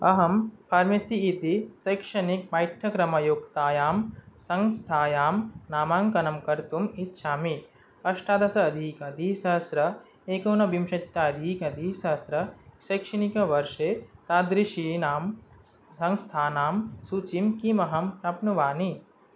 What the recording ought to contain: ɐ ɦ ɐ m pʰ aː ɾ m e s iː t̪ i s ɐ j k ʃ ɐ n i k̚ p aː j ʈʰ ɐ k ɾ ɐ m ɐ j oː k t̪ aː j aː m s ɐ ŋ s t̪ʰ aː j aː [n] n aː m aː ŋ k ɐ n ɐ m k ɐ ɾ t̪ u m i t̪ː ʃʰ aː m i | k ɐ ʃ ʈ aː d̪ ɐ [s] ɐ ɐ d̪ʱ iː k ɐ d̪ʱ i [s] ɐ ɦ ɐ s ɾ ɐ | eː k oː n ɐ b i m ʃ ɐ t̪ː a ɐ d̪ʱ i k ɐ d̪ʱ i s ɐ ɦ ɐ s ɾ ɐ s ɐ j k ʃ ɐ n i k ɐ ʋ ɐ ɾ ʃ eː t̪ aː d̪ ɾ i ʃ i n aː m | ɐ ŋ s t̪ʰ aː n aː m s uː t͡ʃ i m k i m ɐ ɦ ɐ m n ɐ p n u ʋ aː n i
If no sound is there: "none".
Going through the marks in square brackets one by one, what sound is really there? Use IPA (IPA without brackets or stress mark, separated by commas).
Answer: m, s, s